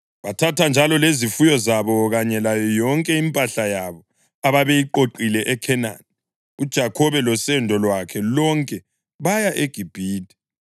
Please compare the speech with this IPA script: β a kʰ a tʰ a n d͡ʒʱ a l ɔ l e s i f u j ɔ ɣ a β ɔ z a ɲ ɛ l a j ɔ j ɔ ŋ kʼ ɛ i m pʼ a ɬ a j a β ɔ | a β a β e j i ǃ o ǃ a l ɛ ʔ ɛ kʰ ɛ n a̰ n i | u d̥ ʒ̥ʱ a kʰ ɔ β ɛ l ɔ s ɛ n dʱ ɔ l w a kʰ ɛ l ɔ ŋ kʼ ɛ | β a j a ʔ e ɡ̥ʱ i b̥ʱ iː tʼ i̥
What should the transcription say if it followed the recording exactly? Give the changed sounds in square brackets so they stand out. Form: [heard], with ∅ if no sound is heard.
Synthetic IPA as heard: β a [tʰ] a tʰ a n d͡ʒʱ a l ɔ l e [z] i f u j ɔ [z] a β ɔ [ɣ] a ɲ ɛ l a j ɔ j ɔ ŋ kʼ ɛ i m pʼ a ɬ a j a β ɔ | a β a β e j i ǃ o ǃ [i] l ɛ ʔ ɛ kʰ ɛ n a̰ n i | u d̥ ʒ̥ʱ a kʰ ɔ β ɛ l ɔ s ɛ n dʱ ɔ l w a kʰ ɛ l ɔ ŋ kʼ ɛ | β a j a ʔ e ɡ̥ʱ i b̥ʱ iː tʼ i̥